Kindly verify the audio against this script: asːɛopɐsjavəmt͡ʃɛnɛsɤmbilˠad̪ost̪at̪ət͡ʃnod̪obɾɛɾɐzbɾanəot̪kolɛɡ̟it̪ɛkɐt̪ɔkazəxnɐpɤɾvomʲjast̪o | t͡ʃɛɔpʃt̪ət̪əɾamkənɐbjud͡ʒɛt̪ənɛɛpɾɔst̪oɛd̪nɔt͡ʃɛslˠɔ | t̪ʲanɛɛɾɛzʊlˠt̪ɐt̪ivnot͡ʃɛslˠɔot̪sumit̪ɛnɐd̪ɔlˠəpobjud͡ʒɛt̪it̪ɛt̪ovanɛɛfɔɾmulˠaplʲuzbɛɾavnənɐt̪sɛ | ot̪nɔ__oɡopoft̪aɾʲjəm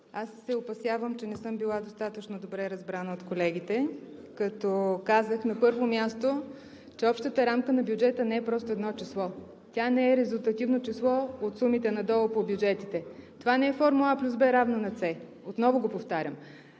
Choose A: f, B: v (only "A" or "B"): B